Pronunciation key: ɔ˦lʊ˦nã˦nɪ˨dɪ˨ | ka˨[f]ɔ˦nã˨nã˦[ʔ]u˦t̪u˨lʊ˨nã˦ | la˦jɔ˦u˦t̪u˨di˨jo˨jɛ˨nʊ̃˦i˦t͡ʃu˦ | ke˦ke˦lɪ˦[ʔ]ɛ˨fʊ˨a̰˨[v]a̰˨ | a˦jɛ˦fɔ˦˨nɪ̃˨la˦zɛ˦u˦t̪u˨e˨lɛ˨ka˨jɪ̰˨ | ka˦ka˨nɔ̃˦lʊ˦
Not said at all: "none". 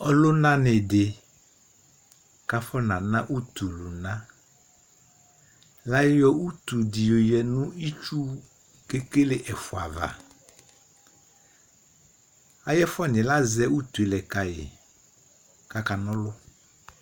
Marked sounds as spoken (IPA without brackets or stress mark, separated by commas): f, ʔ, ʔ, v